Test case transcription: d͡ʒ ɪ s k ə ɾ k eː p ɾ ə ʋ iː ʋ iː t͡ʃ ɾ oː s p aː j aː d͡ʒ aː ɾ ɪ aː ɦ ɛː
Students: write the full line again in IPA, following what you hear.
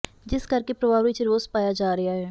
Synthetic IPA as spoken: d͡ʒ ɪ s k ə ɾ k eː p ɾ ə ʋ aː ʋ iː t͡ʃ ɾ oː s p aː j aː d͡ʒ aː ɾ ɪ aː ɦ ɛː